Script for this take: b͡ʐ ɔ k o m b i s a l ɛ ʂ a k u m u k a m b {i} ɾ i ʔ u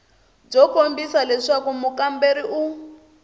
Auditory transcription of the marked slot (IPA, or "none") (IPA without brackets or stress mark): e